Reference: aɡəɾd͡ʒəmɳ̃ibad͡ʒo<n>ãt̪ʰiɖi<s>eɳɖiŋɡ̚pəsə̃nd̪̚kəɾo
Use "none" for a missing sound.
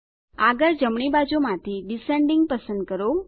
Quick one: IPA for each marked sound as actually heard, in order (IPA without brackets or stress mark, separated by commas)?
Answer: m, s